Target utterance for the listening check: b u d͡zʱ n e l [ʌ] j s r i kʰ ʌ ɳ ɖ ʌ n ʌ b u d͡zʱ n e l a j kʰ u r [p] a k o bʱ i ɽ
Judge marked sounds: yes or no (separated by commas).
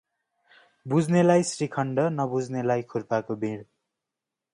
no, yes